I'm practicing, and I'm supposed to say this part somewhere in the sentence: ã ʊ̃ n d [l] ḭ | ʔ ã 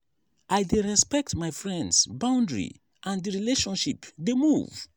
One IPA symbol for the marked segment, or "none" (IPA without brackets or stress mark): ɹ